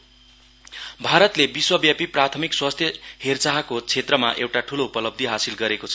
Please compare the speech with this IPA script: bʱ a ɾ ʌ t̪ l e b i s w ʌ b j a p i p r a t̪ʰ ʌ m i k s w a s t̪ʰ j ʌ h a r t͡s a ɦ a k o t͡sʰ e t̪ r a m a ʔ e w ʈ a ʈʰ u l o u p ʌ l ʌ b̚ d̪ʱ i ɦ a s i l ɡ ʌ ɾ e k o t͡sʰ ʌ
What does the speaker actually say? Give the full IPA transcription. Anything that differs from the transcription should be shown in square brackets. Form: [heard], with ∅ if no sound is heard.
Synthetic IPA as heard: bʱ a ɾ ʌ t̪ l e b i s w ʌ b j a p i p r a t̪ʰ ʌ m i k s w a s t̪ʰ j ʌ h [e] r t͡s a ɦ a k o t͡sʰ e t̪ r [ʌ] m a ʔ e w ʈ a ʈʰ u l o u p ʌ l ʌ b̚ d̪ʱ i ɦ a s i l ɡ ʌ ɾ e k o t͡sʰ ʌ